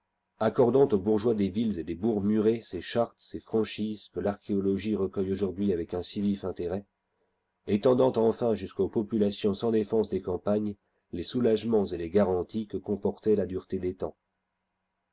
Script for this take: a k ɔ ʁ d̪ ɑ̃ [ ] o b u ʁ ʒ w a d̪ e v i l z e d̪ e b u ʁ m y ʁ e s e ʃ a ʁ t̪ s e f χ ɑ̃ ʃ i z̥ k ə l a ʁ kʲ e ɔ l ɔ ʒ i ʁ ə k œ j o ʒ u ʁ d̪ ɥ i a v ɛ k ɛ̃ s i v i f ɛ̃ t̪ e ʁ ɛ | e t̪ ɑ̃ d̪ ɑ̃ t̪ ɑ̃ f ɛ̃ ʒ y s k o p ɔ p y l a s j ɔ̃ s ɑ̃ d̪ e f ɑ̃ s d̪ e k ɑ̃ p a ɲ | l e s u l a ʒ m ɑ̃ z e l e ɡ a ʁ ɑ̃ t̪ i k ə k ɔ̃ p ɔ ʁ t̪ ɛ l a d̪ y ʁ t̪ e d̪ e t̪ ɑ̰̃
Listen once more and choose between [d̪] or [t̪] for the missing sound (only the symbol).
t̪